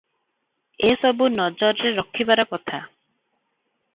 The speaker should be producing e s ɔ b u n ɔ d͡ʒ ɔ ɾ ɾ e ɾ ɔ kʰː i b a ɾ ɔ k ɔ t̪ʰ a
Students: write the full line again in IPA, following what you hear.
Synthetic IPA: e s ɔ b u n ɔ d͡ʒ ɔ ɾ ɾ e ɾ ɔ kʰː i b a ɾ ɔ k ɔ t̪ʰ a